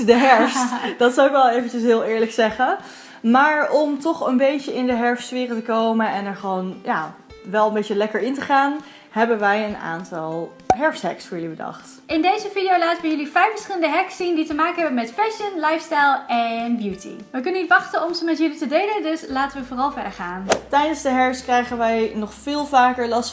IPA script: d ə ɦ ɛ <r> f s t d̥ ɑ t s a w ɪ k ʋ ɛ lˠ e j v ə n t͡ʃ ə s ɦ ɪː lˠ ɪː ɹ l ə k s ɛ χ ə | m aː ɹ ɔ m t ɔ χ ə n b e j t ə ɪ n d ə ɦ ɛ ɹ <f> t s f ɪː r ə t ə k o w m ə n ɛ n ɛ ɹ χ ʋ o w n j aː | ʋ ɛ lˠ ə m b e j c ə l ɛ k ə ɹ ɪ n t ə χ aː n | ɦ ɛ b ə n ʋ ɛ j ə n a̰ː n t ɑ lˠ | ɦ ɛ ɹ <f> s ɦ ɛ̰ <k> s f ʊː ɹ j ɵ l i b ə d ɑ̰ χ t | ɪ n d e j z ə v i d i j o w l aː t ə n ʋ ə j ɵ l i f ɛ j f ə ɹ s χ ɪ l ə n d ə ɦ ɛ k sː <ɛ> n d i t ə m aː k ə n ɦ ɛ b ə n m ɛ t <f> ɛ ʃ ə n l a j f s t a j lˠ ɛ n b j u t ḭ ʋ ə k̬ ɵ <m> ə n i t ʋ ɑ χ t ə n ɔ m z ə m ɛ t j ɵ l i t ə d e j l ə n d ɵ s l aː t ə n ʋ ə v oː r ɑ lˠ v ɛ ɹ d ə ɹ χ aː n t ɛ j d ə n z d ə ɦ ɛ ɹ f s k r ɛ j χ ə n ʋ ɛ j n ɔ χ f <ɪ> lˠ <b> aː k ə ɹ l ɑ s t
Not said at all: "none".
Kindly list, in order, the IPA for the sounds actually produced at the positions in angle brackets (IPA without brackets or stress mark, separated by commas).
ɹ, f, f, k, i, f, n, ɪː, v